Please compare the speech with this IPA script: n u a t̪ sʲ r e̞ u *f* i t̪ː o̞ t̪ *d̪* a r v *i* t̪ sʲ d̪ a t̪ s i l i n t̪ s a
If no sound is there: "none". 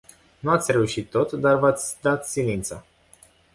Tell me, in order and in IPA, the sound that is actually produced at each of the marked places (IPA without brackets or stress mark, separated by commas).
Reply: ʃ, d̪, a